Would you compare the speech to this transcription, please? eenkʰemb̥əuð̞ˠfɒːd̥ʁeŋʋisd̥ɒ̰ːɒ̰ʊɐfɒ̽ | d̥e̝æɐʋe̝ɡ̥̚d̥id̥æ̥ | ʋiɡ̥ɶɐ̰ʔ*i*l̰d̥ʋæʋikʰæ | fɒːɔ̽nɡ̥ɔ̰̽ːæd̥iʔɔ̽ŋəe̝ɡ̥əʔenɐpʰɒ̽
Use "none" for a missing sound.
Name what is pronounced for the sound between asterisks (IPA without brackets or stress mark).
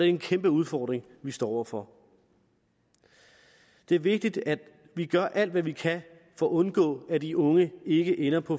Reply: æ